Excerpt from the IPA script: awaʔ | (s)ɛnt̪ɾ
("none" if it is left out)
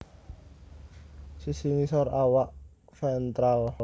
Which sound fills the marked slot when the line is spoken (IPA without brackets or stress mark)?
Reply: f